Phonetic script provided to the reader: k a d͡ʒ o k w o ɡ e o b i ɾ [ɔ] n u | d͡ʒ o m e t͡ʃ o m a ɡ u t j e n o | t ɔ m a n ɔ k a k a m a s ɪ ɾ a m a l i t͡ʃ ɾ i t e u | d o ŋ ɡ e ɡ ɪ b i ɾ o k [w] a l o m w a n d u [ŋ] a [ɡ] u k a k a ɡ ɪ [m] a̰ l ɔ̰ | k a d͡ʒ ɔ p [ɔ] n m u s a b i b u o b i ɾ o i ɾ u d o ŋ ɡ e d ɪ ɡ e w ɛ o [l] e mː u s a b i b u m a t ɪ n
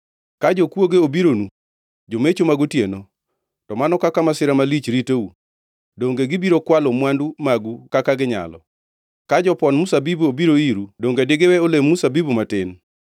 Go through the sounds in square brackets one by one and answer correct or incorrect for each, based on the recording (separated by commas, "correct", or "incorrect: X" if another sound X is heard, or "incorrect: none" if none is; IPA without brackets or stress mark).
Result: incorrect: o, correct, incorrect: m, correct, incorrect: ɲ, correct, correct